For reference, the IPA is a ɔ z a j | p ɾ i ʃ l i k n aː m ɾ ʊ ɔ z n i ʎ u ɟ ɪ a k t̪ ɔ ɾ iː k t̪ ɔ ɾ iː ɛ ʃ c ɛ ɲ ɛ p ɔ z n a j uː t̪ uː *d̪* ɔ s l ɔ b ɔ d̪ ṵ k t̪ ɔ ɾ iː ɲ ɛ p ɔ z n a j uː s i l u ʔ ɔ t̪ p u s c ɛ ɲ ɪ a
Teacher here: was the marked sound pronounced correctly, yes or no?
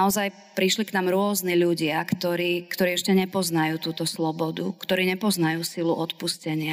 no